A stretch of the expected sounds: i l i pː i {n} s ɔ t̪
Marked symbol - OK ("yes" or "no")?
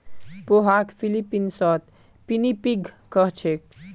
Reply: yes